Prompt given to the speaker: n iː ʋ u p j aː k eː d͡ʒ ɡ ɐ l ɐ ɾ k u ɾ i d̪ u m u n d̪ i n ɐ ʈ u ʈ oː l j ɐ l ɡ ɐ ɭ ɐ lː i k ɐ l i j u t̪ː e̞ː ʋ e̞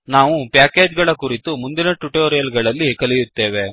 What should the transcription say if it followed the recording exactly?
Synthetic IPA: n aː ʋ u p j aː k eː d͡ʒ ɡ ɐ ɭ ɐ k u ɾ i t̪ u m u n d̪ i n ɐ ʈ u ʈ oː ɾ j ɐ l ɡ ɐ ɭ ɐ lː i k ɐ l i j u t̪ː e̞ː ʋ e̞

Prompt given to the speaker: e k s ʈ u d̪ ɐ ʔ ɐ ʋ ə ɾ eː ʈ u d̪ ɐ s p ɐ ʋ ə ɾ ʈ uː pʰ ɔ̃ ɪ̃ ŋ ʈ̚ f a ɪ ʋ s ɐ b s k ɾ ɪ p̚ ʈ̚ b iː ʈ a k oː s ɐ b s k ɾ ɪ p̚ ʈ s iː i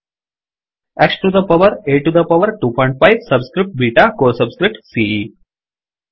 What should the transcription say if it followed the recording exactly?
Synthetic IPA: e k s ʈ u d̪ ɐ p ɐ ʋ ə ɾ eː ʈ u d̪ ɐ p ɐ ʋ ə ɾ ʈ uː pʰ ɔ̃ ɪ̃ ɳ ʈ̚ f a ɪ ʋ s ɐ b s k ɾ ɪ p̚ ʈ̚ b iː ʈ a k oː s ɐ b s k ɾ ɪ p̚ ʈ s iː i

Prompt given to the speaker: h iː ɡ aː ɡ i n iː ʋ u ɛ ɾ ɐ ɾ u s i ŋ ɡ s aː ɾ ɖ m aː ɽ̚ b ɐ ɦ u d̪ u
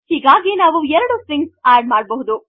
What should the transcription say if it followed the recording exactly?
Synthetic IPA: h iː ɡ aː ɡ i n aː ʋ u ɛ ɾ ɐ ɽ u s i ŋ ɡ s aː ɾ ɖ m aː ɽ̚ b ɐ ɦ u d̪ u

